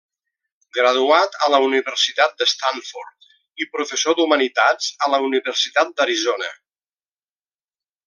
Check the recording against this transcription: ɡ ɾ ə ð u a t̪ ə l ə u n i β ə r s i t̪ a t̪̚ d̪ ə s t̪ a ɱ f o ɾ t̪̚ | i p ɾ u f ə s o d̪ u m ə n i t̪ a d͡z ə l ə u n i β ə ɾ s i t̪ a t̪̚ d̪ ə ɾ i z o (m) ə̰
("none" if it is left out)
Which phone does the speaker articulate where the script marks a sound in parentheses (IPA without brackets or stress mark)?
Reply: n